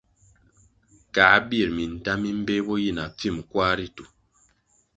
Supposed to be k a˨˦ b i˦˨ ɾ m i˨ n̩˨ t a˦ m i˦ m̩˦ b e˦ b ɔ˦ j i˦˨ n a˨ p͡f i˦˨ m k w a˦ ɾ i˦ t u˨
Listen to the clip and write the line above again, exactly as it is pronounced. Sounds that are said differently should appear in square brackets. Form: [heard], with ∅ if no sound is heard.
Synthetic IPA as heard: k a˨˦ b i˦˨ ɾ m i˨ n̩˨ t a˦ m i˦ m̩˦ b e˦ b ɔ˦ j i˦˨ n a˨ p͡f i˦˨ m k w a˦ ɾ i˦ t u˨